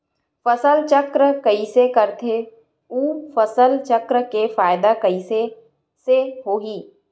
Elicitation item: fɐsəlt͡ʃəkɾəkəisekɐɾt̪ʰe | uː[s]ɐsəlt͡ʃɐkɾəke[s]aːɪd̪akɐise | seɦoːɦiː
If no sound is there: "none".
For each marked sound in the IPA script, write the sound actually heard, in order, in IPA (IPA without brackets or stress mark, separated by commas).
f, f